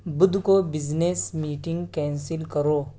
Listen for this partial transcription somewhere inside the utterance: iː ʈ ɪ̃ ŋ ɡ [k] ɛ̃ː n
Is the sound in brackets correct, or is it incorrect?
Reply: correct